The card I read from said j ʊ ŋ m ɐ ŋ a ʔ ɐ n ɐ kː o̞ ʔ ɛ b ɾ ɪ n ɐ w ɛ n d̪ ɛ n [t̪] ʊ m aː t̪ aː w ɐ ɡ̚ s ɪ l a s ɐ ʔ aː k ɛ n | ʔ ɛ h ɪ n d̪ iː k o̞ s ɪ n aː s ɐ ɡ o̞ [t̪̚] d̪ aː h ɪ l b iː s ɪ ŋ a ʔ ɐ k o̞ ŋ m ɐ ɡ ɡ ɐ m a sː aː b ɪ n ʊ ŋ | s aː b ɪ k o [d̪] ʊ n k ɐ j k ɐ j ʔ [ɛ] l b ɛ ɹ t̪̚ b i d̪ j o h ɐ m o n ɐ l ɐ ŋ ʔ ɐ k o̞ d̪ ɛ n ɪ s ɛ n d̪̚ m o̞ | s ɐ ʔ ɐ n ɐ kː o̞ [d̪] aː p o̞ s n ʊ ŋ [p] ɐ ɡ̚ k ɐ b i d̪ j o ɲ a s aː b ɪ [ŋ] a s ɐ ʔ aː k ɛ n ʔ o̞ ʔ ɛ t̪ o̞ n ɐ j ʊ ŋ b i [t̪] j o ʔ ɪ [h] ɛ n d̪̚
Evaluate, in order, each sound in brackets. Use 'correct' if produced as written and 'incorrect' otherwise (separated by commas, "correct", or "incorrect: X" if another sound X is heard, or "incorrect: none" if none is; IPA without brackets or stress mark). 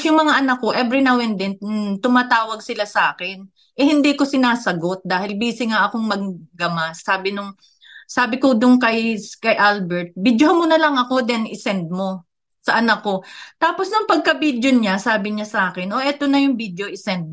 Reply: correct, correct, correct, incorrect: a, incorrect: t̪, correct, incorrect: ɲ, incorrect: d̪, incorrect: s